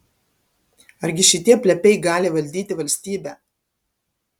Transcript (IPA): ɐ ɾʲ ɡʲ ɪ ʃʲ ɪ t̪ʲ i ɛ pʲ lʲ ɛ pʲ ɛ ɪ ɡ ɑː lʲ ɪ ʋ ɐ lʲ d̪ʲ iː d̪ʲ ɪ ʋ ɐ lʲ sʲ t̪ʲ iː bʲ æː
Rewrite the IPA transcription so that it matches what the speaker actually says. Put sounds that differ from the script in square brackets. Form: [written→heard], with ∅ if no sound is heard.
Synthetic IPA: ɐ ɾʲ ɡʲ ɪ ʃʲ ɪ t̪ʲ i ɛ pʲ lʲ ɛ pʲ ɛ ɪ ɡ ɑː lʲ ɪ ʋ ɐ lʲ d̪ʲ iː [d̪ʲ→t̪ʲ] ɪ ʋ ɐ lʲ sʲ t̪ʲ iː bʲ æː

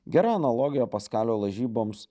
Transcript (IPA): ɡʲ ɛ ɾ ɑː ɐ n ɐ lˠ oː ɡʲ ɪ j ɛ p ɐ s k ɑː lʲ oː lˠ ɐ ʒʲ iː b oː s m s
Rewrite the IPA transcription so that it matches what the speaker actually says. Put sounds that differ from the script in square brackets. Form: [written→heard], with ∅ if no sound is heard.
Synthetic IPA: ɡʲ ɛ ɾ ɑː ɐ n ɐ lˠ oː ɡʲ ɪ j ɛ p ɐ s k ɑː lʲ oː lˠ ɐ ʒʲ iː b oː [s→∅] m s

